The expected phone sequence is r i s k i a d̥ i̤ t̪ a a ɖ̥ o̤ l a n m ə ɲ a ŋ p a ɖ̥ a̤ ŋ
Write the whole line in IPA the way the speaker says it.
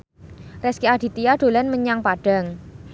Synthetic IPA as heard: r ɛ s k i a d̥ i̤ t̪ i a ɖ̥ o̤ l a n m ə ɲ a ŋ p a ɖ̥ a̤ ŋ